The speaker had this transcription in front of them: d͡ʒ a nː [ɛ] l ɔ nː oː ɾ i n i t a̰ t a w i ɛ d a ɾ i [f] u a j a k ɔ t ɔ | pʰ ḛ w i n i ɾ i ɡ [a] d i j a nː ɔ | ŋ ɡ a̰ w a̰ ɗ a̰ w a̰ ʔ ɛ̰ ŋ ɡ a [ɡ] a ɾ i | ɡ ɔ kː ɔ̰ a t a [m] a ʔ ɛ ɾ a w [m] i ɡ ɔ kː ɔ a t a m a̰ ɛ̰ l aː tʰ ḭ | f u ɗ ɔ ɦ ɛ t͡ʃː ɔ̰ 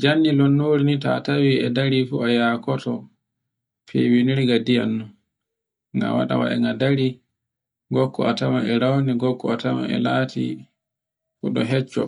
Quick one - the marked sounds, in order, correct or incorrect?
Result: incorrect: i, correct, correct, incorrect: d, correct, incorrect: n

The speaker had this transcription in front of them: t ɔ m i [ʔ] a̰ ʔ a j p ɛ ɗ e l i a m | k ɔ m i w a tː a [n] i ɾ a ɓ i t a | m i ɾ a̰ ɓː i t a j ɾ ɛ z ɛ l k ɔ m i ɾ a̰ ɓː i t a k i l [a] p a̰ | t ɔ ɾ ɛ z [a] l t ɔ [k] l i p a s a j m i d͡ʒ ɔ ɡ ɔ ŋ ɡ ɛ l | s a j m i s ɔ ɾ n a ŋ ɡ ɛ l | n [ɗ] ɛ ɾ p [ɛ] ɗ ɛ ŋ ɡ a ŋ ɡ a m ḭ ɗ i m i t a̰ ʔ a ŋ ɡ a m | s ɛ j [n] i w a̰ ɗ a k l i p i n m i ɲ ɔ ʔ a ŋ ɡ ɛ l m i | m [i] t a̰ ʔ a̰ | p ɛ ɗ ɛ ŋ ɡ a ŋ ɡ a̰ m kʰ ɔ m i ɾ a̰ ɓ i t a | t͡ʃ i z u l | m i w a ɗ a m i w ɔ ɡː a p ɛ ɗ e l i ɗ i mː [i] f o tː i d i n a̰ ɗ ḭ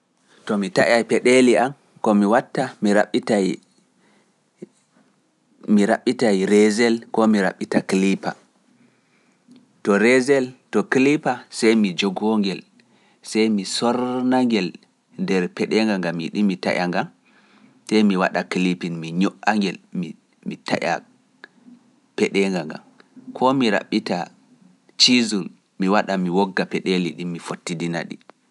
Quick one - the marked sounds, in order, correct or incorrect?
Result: incorrect: t, incorrect: m, incorrect: i, incorrect: ɛ, correct, incorrect: d, correct, incorrect: m, correct, correct

